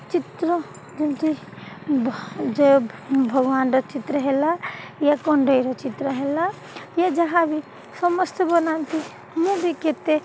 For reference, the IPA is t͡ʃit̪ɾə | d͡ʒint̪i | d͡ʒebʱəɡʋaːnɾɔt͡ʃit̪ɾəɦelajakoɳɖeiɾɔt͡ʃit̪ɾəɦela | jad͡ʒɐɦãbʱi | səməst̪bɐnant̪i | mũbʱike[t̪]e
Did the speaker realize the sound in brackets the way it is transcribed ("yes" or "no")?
yes